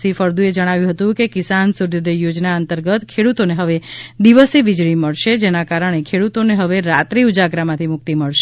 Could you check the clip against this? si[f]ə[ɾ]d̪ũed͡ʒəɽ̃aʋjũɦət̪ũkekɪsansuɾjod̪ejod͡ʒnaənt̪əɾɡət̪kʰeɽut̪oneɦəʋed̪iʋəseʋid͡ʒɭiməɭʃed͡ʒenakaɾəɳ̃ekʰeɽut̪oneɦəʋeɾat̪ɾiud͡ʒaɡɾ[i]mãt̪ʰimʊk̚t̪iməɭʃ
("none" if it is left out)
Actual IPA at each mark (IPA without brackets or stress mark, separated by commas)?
f, ɾ, a